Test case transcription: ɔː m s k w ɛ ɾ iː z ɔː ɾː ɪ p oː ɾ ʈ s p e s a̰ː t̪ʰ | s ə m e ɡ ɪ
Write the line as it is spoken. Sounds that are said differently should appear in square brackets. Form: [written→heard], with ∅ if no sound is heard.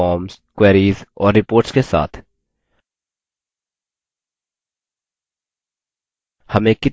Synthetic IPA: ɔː m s k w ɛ ɾ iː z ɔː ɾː ɪ p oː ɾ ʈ s [p→k] e s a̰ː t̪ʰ | [s→h] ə m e [ɡ→k] ɪ